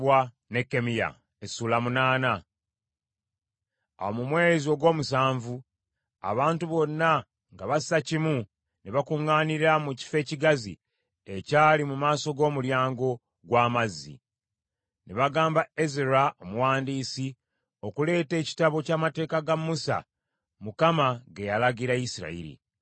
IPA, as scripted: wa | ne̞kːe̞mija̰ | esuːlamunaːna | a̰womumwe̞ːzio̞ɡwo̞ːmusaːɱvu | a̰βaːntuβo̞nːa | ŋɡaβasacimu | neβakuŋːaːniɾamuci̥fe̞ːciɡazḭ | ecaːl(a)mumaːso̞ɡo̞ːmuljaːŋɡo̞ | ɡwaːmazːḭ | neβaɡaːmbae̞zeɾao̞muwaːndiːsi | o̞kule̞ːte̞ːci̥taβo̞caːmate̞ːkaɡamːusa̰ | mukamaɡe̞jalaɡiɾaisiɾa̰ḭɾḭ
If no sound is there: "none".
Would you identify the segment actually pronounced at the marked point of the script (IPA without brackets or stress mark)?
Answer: i